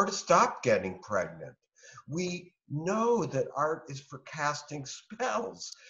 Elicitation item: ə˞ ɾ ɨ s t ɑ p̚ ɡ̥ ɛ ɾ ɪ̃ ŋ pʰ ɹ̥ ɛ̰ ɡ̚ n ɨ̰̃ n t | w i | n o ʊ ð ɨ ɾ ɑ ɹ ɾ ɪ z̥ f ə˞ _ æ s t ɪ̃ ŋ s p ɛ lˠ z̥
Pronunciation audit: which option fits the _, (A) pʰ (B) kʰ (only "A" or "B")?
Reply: B